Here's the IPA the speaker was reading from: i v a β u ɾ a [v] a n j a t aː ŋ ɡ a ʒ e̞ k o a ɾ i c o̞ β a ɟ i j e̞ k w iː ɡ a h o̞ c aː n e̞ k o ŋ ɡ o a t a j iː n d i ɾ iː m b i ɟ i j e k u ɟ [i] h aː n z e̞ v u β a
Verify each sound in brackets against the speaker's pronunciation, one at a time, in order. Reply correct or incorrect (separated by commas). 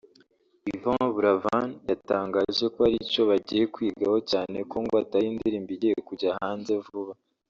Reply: correct, incorrect